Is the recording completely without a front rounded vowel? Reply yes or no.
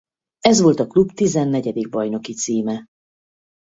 yes